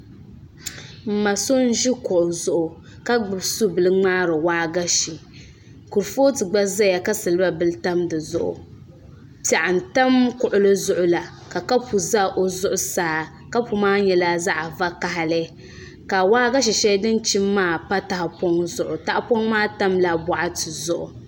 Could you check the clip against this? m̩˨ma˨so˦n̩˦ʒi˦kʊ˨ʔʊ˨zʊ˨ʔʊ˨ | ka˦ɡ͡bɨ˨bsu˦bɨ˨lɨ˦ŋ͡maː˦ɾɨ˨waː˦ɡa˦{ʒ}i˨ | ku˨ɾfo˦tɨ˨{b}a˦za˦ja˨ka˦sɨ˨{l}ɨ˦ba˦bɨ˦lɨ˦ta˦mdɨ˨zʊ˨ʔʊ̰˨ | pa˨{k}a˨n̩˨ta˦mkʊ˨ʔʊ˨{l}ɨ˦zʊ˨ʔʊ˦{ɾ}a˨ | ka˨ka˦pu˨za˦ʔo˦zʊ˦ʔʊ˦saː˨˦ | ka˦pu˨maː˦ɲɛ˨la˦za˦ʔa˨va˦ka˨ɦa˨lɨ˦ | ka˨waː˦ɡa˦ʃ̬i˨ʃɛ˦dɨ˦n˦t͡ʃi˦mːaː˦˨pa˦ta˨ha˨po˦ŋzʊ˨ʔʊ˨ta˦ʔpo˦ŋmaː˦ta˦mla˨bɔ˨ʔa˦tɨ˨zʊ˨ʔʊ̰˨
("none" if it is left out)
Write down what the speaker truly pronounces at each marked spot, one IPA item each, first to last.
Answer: ʃ, ɡ͡b, l, ʔ, l, l

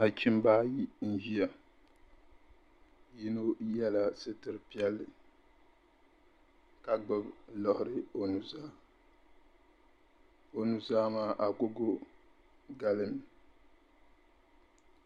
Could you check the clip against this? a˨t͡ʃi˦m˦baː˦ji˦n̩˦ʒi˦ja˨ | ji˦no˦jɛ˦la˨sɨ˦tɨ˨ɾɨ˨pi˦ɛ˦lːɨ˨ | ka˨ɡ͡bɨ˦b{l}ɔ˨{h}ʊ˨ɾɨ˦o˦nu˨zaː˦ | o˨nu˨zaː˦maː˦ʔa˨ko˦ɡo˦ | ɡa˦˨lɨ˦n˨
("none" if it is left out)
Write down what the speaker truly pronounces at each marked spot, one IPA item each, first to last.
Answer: l, h

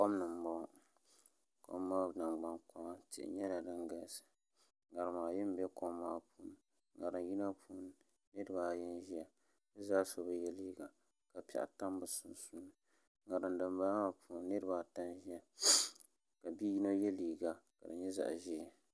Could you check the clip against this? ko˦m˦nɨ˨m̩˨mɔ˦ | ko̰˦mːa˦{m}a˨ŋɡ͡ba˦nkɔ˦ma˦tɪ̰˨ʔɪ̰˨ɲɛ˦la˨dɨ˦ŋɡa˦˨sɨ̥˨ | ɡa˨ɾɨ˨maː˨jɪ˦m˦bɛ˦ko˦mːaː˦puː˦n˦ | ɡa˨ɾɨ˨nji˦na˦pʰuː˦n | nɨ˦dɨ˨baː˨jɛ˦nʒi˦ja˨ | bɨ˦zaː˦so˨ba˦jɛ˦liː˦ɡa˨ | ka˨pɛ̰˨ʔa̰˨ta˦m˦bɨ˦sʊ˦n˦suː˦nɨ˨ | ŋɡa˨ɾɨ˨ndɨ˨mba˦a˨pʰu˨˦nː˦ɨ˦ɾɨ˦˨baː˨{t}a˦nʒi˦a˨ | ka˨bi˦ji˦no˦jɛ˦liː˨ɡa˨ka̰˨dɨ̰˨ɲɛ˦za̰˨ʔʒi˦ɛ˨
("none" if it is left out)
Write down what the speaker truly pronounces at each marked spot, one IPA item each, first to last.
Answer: n, t

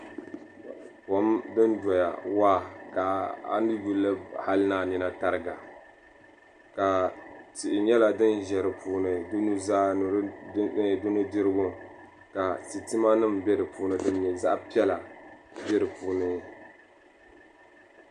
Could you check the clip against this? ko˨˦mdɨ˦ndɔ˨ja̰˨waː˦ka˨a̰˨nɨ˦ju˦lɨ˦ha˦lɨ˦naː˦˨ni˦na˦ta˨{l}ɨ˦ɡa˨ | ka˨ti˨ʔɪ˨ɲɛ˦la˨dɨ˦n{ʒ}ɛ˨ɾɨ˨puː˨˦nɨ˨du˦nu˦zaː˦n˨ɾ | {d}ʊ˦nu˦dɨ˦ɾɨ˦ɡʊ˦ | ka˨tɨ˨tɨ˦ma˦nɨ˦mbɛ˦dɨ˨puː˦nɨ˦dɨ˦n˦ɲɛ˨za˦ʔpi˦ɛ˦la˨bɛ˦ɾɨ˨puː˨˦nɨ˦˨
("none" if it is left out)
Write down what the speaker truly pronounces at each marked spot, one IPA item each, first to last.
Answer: ɾ, ʒ, d

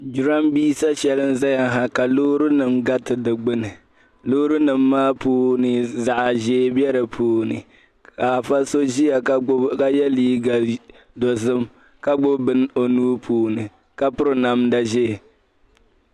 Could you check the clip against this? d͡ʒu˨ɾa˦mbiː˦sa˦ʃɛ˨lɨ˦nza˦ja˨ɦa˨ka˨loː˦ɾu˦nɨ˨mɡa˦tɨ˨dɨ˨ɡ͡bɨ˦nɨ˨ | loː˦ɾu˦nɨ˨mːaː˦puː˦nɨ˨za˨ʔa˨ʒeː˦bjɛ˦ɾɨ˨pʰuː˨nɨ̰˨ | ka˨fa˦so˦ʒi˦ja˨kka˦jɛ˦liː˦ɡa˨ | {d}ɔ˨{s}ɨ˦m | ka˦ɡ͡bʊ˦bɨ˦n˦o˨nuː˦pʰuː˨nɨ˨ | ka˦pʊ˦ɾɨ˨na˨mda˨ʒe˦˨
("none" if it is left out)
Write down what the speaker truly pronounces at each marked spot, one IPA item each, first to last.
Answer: d, z

